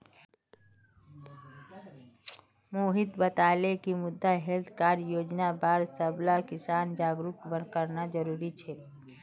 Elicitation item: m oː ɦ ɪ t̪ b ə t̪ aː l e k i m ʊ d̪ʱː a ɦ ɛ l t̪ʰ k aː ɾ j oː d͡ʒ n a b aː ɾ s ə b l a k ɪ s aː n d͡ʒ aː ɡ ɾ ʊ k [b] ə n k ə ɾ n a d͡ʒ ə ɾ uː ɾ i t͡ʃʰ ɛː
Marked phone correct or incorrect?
correct